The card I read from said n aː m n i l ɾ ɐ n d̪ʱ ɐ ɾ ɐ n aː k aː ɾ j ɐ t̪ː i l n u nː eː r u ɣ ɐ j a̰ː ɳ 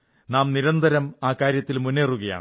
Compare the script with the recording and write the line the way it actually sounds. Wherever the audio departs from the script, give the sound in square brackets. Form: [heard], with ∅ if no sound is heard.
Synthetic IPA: n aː m n i [∅] ɾ ɐ n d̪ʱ ɐ ɾ ɐ [m] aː k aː ɾ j ɐ t̪ː i l [m] u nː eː r u ɣ ɐ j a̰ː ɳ